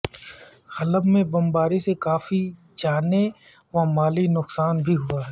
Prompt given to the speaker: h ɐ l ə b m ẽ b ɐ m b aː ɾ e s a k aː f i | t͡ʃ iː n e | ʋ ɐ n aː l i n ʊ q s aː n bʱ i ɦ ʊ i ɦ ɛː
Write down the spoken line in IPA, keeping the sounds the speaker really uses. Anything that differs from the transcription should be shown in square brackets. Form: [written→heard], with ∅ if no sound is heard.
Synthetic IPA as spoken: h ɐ l ə b m ẽ b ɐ m b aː ɾ [e→i] s [a→e] k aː f i | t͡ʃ [iː→aː] n e | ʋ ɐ [n→m] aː l i n ʊ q s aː n bʱ i ɦ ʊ [i→a] ɦ ɛː